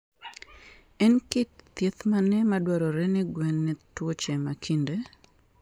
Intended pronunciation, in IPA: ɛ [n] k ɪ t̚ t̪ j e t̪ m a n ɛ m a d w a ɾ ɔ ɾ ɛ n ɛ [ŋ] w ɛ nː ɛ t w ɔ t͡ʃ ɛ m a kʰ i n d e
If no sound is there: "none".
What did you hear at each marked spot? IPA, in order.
n, ɡ

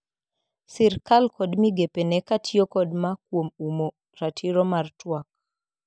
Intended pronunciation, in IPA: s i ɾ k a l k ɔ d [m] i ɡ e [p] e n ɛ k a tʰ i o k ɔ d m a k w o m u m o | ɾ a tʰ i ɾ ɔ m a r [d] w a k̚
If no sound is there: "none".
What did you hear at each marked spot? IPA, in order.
m, p, t

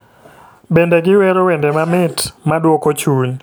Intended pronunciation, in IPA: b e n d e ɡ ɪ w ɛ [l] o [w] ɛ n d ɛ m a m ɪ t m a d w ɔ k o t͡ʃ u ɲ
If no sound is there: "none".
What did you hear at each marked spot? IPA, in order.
ɾ, w

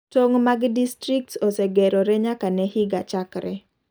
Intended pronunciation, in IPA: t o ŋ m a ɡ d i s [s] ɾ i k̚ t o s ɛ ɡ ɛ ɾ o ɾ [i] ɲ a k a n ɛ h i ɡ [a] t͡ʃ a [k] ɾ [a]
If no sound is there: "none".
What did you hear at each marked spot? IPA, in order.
t, ɛ, a, k, ɛ

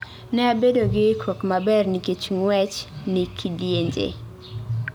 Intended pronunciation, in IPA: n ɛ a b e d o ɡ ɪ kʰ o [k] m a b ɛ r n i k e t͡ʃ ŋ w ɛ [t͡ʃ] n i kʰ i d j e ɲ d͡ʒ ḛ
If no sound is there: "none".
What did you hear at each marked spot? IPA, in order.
k, t͡ʃ

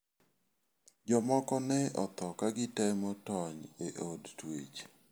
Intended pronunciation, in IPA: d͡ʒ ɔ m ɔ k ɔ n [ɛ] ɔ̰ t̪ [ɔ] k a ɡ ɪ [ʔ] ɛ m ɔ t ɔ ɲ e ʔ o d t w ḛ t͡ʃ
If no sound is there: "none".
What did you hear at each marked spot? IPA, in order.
ɛ, ɔ, t

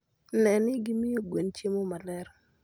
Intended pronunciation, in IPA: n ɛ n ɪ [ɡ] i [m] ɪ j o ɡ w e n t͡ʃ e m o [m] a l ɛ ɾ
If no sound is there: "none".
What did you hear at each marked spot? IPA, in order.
ɡ, m, m

